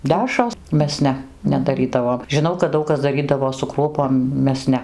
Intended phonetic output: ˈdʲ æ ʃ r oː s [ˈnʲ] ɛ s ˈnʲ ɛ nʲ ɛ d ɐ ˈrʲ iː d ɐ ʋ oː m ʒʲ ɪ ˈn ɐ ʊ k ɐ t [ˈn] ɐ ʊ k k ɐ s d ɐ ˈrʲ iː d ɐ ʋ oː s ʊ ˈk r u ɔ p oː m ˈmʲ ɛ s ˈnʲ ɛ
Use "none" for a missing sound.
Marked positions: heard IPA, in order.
mʲ, d

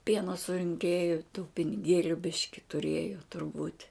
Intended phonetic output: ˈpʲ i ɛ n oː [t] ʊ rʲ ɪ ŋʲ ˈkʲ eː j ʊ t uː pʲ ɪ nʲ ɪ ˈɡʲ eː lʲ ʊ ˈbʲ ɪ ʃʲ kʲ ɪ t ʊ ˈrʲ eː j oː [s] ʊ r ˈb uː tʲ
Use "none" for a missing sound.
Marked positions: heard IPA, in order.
s, t

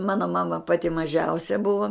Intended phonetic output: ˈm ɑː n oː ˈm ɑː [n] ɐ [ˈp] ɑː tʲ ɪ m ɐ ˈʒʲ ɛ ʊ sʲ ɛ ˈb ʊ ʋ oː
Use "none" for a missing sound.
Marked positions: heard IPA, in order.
m, p

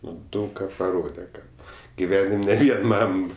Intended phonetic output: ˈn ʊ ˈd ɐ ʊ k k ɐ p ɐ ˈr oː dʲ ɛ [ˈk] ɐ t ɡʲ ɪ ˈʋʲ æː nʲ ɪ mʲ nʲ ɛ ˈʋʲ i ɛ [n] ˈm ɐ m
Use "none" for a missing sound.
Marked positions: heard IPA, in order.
k, n

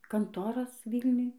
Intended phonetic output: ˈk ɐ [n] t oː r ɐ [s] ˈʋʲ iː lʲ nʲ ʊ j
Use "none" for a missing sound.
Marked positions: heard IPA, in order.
n, s

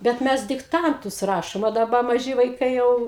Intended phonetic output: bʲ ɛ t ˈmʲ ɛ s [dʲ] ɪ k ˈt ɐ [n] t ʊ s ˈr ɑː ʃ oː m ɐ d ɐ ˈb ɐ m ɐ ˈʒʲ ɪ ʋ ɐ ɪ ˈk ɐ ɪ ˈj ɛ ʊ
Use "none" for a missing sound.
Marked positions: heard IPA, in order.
dʲ, n

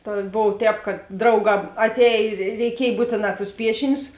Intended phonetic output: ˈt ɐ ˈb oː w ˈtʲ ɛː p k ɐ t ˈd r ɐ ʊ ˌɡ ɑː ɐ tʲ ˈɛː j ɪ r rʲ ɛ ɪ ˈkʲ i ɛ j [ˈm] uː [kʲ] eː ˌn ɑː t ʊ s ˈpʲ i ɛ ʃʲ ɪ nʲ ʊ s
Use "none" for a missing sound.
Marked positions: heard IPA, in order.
b, tʲ

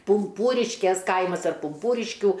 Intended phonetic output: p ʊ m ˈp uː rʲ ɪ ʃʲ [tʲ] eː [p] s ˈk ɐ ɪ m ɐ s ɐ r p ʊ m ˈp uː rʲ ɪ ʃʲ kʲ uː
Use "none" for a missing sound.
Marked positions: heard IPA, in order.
kʲ, none

